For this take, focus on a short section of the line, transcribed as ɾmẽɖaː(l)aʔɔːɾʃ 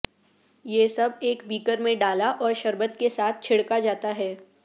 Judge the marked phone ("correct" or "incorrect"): correct